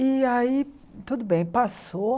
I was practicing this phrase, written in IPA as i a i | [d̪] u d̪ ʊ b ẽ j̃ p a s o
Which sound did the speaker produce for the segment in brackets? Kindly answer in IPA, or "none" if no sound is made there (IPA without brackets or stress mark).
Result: t̪